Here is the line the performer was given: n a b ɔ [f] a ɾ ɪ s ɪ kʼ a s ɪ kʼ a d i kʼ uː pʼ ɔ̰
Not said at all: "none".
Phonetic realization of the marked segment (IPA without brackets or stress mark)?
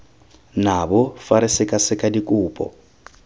f